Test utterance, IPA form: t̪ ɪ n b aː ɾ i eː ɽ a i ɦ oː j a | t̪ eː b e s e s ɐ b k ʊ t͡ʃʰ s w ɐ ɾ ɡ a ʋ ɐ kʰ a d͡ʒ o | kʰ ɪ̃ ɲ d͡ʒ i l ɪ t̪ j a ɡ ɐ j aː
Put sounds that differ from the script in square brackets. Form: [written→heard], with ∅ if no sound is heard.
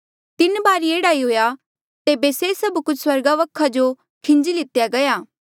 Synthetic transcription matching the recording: t̪ ɪ n b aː ɾ i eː ɽ a i ɦ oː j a | t̪ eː b e s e s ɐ b k ʊ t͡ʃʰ s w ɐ ɾ ɡ a ʋ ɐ kʰ a d͡ʒ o | kʰ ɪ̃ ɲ d͡ʒ i l ɪ t̪ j a ɡ ɐ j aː